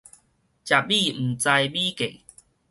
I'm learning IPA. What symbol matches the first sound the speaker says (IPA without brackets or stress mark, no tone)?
t͡ɕ